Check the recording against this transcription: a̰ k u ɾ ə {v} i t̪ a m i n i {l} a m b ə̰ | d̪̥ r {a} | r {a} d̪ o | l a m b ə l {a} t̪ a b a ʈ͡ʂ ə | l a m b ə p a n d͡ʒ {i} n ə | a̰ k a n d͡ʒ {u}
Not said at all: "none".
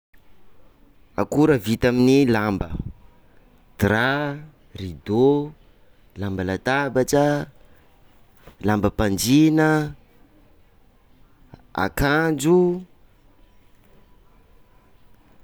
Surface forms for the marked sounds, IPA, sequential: v, l, a, i, a, i, u

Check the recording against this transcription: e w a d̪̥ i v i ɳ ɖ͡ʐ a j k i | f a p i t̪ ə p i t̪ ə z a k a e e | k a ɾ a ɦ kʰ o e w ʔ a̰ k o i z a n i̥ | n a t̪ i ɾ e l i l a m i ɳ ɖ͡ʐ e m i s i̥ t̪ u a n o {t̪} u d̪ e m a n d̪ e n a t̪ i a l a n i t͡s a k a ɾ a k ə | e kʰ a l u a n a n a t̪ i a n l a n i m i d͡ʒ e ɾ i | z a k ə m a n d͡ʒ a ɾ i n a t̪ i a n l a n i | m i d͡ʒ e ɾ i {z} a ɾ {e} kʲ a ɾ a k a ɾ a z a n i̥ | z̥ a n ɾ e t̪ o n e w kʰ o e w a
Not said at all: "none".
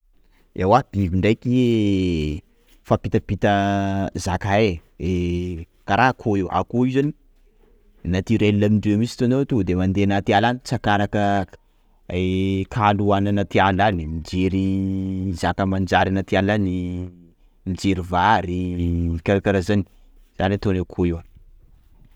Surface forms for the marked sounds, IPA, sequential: t̪, v, i

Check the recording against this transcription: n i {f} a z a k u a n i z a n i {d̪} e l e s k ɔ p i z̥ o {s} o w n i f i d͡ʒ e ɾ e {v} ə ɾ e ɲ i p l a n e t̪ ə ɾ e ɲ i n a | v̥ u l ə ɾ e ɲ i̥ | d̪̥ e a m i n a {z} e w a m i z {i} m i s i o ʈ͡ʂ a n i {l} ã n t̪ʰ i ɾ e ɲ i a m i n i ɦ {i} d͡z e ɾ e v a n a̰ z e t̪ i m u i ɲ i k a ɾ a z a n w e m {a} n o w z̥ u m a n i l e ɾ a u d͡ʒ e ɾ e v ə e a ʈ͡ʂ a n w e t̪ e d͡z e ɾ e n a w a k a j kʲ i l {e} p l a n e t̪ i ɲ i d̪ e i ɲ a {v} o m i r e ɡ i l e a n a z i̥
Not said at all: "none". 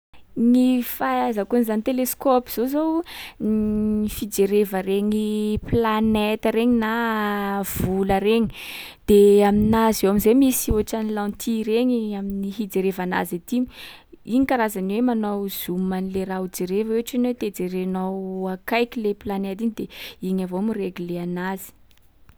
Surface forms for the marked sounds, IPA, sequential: f, t̪, z, v, z, e, l, i, a, e, v

